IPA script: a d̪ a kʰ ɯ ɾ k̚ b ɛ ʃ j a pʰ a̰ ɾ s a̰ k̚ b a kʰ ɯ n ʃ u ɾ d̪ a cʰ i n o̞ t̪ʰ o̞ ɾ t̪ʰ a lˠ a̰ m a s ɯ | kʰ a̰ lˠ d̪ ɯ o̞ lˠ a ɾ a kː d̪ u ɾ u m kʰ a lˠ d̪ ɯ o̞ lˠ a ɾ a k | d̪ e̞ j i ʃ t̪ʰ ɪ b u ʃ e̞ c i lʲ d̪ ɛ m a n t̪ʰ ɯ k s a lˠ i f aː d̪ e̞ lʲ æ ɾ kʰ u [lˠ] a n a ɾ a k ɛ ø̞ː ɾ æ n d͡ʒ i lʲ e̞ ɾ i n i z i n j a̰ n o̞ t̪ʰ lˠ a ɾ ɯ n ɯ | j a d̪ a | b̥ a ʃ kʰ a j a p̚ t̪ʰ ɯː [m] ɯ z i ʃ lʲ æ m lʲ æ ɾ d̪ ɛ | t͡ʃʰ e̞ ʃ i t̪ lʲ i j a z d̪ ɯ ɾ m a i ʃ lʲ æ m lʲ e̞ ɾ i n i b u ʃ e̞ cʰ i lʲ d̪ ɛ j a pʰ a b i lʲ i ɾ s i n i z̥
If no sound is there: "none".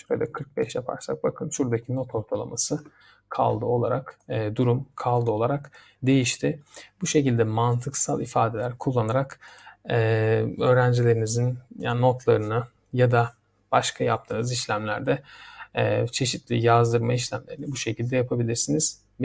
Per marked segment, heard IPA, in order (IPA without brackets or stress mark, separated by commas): lˠː, n